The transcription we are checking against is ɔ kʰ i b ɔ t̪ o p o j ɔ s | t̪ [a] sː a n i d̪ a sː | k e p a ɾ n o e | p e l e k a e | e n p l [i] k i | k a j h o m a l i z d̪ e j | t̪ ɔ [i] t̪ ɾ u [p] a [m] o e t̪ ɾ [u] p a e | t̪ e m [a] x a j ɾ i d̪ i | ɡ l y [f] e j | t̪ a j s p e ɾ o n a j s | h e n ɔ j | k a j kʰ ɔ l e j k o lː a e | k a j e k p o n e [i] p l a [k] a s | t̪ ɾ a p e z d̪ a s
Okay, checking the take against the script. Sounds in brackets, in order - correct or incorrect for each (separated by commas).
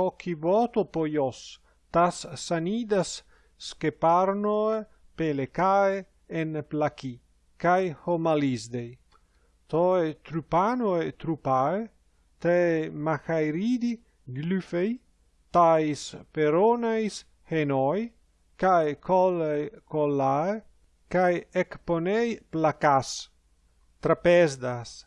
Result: correct, incorrect, incorrect, correct, incorrect, correct, correct, correct, incorrect, correct